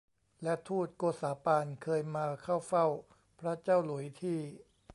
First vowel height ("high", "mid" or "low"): mid